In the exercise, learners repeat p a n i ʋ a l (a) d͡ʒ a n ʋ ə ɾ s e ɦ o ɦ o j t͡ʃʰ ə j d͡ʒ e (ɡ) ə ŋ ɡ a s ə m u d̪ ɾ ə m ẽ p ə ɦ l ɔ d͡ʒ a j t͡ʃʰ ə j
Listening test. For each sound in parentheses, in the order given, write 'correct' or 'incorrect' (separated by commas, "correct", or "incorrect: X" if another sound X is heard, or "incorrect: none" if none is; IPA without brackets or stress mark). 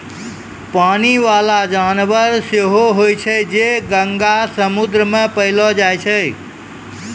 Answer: correct, correct